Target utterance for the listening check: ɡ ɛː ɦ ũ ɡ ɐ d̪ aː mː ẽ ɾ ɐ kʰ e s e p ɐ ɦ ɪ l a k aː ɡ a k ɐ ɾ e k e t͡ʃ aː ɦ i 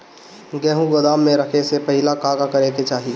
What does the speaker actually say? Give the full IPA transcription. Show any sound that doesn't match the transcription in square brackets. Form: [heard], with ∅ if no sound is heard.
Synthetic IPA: ɡ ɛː ɦ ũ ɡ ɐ d̪ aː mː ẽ ɾ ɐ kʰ e s e p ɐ ɦ ɪ l a k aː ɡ a k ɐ ɾ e k e t͡ʃ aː ɦ i

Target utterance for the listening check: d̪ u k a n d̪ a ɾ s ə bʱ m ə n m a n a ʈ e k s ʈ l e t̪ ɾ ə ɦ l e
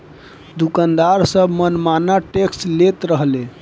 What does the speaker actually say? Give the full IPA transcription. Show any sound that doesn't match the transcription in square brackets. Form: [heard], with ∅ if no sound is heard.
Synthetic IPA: d̪ u k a n d̪ a ɾ s ə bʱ m ə n m a n a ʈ e k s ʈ l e t̪ ɾ ə ɦ l e

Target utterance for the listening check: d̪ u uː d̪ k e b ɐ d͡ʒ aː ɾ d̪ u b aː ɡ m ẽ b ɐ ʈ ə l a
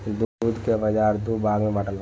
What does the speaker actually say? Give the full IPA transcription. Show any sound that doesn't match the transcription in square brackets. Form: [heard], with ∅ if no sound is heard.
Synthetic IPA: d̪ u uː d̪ k e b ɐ d͡ʒ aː ɾ d̪ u b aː ɡ m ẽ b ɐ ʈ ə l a

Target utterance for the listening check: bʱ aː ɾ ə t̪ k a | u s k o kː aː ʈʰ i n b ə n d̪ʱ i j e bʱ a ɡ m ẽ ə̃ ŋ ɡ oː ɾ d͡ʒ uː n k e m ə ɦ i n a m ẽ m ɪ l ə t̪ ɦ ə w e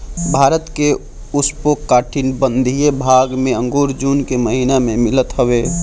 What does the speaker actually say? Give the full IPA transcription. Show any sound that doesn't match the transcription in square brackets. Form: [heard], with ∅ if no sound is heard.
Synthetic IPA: bʱ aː ɾ ə t̪ k [e] | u s [p] o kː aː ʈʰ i n b ə n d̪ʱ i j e bʱ a ɡ m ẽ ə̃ ŋ ɡ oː ɾ d͡ʒ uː n k e m ə ɦ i n a m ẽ m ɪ l ə t̪ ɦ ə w e

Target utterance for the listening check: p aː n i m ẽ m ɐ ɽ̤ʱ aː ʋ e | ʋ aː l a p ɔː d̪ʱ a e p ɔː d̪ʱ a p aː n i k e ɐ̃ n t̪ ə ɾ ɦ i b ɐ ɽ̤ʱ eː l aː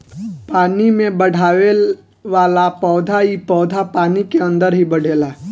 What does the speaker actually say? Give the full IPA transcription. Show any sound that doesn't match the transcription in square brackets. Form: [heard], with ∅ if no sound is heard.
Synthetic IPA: p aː n i m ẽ [b] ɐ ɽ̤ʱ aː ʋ e | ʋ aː l a p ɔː d̪ʱ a [i] p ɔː d̪ʱ a p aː n i k e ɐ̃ n [d̪] ə ɾ ɦ i b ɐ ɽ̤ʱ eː l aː

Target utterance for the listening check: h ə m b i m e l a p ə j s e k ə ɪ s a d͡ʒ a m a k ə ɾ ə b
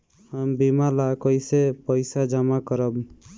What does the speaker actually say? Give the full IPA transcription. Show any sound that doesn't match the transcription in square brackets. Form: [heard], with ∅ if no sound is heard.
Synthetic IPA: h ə m b i m [a] l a [k] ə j s e [p] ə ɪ s a d͡ʒ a m a k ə ɾ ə b

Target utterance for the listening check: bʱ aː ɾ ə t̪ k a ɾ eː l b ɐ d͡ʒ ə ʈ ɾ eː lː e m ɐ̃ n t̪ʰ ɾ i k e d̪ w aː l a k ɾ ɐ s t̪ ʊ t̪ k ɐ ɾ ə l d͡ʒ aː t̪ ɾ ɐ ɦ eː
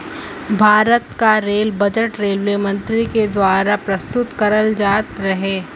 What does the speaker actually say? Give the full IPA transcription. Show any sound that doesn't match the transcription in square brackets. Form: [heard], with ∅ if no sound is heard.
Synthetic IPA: bʱ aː ɾ ə t̪ k a ɾ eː l b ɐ d͡ʒ ə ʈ ɾ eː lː e m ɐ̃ n [t̪] ɾ i k e d̪ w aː [ɾ] a [p] ɾ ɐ s t̪ ʊ t̪ k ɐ ɾ ə l d͡ʒ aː t̪ ɾ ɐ ɦ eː

